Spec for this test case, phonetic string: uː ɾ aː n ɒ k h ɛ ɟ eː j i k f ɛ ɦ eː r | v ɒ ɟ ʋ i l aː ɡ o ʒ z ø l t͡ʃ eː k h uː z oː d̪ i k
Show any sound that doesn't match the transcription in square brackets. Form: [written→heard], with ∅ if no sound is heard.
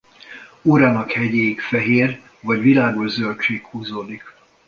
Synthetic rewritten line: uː ɾ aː n ɒ k h ɛ ɟ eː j i k f ɛ ɦ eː r | v ɒ ɟ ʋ i l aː ɡ o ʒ z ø l t͡ʃ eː k h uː z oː d̪ i k